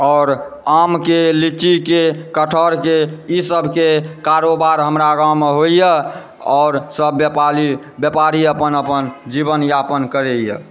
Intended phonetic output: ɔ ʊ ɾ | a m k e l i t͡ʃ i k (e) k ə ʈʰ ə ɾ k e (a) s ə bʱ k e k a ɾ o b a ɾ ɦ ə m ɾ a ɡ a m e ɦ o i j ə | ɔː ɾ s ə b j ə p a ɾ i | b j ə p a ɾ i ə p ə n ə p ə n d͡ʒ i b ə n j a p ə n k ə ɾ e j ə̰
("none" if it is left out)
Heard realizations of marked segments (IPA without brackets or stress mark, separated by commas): e, i